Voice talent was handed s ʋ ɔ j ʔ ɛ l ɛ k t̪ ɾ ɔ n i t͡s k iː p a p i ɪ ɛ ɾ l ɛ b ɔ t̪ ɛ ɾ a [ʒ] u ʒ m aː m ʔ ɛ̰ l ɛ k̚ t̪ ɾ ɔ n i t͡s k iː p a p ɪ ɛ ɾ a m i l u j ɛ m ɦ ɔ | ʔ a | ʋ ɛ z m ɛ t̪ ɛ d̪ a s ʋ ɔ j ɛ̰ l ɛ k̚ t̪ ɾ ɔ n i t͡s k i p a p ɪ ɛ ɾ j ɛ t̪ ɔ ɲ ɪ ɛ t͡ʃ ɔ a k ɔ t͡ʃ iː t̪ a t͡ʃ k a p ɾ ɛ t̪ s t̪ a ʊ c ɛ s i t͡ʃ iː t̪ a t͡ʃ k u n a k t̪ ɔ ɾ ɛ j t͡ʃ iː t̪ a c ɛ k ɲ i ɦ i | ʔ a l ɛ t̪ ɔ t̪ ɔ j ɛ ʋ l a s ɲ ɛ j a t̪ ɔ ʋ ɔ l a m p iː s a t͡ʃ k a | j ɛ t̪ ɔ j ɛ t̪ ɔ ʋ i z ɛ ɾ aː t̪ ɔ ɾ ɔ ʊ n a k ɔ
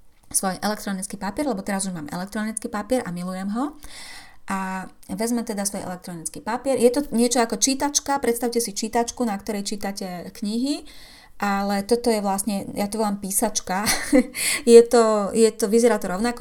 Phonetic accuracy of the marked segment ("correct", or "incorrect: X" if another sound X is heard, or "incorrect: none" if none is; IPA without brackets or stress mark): incorrect: z